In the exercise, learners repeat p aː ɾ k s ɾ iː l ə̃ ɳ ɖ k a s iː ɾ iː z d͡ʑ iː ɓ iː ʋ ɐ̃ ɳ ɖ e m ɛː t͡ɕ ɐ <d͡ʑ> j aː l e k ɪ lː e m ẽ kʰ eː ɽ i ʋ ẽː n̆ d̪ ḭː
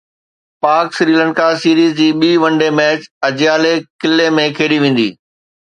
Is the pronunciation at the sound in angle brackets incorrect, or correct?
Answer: correct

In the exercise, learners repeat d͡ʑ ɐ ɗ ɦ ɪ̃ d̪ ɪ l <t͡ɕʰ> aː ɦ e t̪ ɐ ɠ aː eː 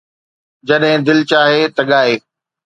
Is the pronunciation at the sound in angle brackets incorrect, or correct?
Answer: incorrect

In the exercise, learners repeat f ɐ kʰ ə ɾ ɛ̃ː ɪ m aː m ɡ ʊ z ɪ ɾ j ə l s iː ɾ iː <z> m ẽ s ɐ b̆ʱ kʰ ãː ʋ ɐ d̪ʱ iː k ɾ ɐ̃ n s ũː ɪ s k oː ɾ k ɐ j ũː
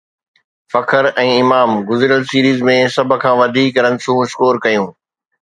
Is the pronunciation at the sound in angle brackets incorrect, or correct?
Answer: correct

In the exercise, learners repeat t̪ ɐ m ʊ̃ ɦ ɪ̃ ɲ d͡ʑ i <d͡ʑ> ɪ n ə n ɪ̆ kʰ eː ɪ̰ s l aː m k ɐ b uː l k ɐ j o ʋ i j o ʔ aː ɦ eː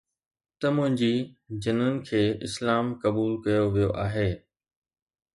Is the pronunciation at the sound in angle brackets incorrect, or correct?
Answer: correct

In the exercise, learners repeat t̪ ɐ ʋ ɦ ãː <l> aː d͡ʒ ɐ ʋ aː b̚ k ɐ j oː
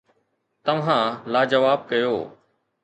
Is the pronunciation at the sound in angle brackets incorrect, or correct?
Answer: correct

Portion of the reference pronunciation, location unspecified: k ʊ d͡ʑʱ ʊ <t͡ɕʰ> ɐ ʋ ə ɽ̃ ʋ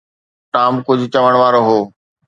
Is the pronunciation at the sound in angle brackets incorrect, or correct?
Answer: incorrect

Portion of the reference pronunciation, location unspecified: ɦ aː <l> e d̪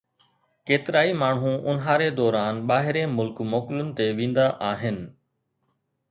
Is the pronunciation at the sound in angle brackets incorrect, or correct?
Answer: incorrect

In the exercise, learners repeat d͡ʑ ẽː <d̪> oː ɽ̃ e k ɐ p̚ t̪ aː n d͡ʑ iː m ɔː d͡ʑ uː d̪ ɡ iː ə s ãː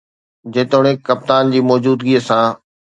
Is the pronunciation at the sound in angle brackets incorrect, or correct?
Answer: incorrect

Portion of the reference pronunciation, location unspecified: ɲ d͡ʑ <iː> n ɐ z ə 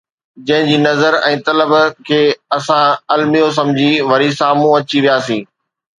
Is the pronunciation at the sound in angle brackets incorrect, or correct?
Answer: correct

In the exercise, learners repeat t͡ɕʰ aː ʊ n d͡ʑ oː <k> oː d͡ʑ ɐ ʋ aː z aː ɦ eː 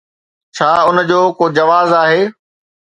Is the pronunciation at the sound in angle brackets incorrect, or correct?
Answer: correct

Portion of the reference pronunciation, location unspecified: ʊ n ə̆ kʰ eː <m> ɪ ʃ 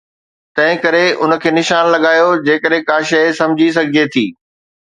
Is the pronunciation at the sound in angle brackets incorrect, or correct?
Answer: incorrect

